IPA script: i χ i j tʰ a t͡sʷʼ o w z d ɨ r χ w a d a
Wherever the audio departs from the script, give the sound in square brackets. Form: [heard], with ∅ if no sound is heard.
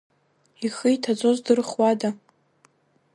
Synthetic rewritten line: i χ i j tʰ a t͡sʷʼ o [∅] z d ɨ r χ w a d a